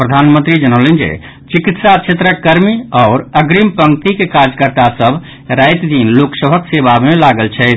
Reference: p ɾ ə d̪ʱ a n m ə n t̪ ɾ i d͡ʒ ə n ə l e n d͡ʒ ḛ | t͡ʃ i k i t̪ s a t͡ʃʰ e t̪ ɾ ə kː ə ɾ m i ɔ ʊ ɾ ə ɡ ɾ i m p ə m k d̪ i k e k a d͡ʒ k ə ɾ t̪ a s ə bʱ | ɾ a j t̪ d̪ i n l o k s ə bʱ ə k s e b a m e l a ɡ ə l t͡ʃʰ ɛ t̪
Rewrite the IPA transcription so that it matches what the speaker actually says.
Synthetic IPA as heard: p ɾ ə d̪ʱ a n m ə n t̪ ɾ i d͡ʒ ə n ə l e n d͡ʒ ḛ | t͡ʃ i k i t̪ s a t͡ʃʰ e t̪ ɾ ə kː ə ɾ m i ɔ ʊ ɾ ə ɡ ɾ i m p ə ŋ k t̪ i k e k a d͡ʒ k ə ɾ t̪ a s ə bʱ | ɾ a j t̪ d̪ i n l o k s ə bʱ ə k s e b a m e l a ɡ ə l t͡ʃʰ ɛ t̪